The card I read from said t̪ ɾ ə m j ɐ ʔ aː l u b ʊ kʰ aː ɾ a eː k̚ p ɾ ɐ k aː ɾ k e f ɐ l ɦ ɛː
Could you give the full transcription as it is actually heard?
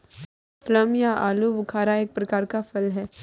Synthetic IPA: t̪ l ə m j a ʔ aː l u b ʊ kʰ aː ɾ a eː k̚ p ɾ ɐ k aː ɾ k a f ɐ l ɦ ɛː